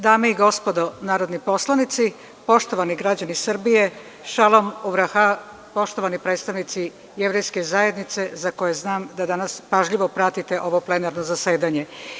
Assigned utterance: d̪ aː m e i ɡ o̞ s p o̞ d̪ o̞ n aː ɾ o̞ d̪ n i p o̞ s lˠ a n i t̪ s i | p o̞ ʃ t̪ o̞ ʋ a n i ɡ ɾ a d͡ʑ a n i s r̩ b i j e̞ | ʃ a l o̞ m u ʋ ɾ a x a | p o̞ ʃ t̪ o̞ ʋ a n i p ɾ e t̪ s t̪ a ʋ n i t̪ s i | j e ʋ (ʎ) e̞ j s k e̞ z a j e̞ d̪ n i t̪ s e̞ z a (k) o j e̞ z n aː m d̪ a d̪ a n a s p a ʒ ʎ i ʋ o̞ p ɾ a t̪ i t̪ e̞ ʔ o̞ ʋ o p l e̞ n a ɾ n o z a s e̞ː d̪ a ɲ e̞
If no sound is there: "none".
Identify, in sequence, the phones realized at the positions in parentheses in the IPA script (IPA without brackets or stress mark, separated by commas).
ɾ, k